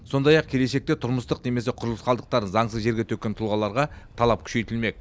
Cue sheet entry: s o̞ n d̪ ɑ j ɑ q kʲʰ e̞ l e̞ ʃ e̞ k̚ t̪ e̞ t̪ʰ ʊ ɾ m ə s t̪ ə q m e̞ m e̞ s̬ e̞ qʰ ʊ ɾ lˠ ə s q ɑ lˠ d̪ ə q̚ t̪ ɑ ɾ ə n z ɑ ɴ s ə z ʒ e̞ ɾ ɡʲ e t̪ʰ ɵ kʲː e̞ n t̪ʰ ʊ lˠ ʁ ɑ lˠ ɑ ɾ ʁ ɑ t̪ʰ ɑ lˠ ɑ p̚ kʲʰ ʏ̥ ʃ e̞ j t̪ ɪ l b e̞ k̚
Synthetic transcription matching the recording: s o̞ n d̪ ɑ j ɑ q kʲʰ e̞ l e̞ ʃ e̞ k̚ t̪ e̞ t̪ʰ ʊ ɾ m ə s t̪ ə q n e̞ m e̞ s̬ e̞ qʰ ʊ ɾ lˠ ə s q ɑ lˠ d̪ ə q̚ t̪ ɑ ɾ ə n z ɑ ɴ s ə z ʒ e̞ ɾ ɡʲ e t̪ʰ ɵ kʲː e̞ n t̪ʰ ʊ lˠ ʁ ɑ lˠ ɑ ɾ ʁ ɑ t̪ʰ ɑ lˠ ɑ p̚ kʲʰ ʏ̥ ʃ e̞ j t̪ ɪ l m e̞ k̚